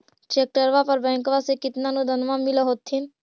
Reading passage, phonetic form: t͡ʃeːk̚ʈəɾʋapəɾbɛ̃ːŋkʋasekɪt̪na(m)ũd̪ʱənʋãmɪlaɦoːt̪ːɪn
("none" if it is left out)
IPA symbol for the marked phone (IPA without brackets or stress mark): n